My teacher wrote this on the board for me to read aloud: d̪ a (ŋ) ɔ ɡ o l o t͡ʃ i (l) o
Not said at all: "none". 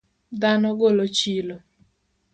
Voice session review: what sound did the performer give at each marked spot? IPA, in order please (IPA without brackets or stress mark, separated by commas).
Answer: n, l